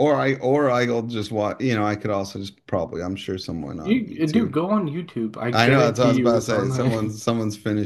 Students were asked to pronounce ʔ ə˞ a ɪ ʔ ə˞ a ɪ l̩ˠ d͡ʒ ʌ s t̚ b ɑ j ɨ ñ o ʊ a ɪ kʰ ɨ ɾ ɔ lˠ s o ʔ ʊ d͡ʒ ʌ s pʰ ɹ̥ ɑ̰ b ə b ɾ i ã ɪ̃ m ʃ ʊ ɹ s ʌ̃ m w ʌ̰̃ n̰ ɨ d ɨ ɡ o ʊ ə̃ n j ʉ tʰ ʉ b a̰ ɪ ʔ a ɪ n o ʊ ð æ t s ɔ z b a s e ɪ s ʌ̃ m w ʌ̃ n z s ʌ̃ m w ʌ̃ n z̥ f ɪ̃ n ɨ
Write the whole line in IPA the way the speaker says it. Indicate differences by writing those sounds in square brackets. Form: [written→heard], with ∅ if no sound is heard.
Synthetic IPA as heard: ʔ ə˞ a ɪ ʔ ə˞ a ɪ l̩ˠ d͡ʒ ʌ s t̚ [b→w] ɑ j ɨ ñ o ʊ a ɪ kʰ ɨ ɾ ɔ lˠ s o [ʔ→∅] ʊ d͡ʒ ʌ s pʰ ɹ̥ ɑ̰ b ə b [ɾ→l] i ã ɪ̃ m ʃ ʊ ɹ s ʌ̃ m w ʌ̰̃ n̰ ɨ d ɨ ɡ o ʊ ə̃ n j ʉ tʰ ʉ b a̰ ɪ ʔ a ɪ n o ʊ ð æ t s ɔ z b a s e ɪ s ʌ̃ m w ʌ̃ n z s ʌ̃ m w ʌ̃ n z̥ f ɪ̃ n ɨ